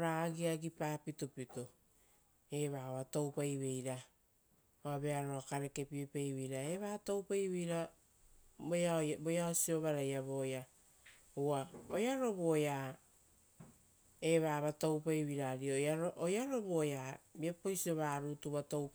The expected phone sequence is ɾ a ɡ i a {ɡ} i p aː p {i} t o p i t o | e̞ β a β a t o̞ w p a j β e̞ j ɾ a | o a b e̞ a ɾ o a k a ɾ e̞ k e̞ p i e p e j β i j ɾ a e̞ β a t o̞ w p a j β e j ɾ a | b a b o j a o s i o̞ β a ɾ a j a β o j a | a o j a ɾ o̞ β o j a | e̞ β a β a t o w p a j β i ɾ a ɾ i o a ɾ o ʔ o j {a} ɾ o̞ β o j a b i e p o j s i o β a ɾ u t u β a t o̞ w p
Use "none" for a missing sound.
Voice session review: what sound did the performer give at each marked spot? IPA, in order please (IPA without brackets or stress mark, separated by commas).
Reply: ɡ, i, a